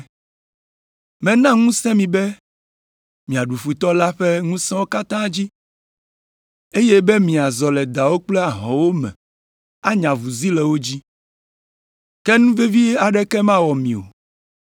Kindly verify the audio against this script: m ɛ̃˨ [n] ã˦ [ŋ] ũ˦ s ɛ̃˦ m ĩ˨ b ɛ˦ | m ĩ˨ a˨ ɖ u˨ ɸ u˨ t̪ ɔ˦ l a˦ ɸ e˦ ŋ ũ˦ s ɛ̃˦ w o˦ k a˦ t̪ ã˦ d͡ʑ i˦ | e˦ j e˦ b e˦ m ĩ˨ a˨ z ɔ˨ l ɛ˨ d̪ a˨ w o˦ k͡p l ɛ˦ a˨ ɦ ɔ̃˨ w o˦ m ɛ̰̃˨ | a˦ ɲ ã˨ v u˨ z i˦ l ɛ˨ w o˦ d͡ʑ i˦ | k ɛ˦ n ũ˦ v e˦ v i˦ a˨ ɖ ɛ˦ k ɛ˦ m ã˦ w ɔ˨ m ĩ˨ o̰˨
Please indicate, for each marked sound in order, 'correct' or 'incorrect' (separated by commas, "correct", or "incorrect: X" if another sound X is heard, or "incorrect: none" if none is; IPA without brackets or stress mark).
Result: correct, correct